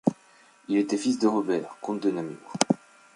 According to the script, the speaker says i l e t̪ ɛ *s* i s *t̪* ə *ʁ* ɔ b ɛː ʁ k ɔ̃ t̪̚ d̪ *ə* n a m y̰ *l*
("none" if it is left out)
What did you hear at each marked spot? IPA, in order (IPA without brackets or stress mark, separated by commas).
f, d̪, ʁ, ə, none